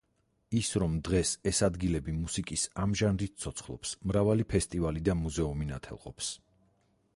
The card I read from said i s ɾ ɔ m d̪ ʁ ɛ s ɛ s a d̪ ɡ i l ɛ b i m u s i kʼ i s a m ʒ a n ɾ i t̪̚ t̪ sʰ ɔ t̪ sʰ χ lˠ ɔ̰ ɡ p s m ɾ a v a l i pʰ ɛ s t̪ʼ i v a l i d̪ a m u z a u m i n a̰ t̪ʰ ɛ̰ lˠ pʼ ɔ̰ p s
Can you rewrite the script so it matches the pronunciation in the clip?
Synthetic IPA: i s ɾ ɔ m d̪ ʁ ɛ s ɛ s a d̪ ɡ i l ɛ b i m u s i kʼ i s a m ʒ a n ɾ i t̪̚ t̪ sʰ ɔ t̪ sʰ χ lˠ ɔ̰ p s m ɾ a v a l i pʰ ɛ s t̪ʼ i v a l i d̪ a m u z ɛ u m i n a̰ t̪ʰ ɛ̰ lˠ qʼ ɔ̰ p s